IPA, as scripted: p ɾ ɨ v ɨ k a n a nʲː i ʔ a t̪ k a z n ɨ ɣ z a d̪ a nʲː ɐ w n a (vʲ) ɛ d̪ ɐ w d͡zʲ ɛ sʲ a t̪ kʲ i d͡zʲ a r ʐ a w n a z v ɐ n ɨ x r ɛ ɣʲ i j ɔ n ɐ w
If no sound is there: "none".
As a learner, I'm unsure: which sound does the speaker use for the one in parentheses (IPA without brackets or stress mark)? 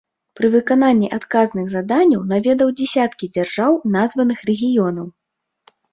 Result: vʲ